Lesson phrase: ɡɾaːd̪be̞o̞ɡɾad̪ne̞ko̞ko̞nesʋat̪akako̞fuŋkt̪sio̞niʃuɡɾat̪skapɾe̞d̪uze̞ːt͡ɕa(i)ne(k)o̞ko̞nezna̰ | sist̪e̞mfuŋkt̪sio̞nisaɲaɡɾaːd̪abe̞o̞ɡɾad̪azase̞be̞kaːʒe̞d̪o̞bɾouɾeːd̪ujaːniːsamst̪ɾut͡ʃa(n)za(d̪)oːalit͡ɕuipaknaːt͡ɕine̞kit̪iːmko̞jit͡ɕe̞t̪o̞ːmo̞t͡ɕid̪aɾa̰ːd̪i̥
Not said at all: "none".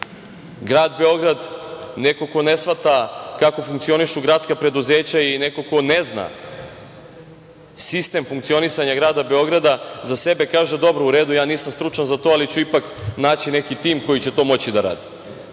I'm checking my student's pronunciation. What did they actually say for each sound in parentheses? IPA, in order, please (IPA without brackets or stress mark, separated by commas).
i, k, n, t̪